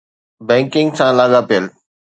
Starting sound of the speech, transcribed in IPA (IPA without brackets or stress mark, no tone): b